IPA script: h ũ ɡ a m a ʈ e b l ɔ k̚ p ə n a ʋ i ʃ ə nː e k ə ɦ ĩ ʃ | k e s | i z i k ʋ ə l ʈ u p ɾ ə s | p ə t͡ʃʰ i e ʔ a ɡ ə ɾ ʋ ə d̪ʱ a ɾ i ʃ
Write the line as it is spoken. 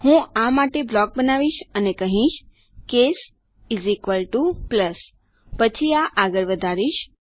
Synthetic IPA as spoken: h ũ a m a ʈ e b l ɔ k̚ b ə n a ʋ i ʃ ə n e k ə ɦ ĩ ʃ | k e s | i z i k ʋ ə l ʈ u p l ə s | p ə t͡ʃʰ i a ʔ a ɡ ə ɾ ʋ ə d̪ʱ a ɾ i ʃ